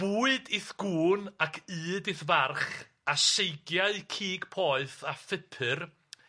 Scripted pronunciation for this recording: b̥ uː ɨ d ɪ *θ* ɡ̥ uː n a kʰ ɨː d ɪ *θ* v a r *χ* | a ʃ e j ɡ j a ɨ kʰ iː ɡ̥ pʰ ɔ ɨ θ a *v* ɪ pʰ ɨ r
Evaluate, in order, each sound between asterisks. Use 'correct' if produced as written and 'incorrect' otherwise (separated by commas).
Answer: correct, correct, correct, incorrect